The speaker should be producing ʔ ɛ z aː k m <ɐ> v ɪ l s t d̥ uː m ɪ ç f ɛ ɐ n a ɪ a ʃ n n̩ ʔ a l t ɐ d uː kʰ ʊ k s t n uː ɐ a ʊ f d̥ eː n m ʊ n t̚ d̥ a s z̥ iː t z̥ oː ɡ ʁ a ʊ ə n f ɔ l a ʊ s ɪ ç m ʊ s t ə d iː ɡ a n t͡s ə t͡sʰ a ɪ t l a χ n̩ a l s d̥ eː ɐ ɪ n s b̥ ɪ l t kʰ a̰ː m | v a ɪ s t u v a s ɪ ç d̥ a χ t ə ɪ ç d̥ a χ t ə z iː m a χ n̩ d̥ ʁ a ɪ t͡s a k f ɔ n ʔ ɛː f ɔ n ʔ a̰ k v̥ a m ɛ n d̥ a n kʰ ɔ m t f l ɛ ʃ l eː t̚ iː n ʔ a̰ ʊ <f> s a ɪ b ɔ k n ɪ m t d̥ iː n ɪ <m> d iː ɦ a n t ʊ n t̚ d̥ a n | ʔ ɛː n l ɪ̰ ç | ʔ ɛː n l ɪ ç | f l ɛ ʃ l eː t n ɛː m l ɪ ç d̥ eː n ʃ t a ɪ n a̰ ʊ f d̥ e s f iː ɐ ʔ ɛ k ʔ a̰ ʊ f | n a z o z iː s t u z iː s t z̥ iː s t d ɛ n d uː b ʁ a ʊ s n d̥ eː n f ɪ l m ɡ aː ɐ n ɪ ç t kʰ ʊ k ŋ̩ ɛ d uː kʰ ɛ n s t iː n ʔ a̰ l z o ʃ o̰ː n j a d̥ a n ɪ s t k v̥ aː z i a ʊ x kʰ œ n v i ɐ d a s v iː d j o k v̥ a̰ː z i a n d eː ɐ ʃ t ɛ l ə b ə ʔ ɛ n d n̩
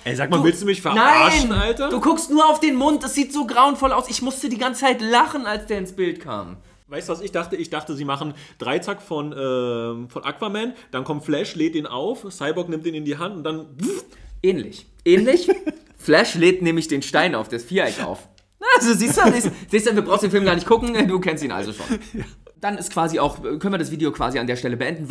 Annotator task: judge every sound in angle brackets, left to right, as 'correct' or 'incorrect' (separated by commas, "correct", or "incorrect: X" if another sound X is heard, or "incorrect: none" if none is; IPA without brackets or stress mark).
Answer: incorrect: a, correct, incorrect: n